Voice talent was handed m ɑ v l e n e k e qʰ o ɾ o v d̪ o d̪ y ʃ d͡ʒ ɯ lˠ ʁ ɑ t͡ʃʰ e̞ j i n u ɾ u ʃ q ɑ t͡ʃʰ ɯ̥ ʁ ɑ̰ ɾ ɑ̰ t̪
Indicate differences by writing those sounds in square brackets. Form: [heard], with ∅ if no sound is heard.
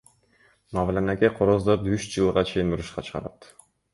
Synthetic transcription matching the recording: m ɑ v l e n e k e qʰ o ɾ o [z] d̪ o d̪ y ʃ d͡ʒ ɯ lˠ ʁ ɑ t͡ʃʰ e̞ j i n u ɾ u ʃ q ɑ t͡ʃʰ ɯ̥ ʁ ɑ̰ ɾ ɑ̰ t̪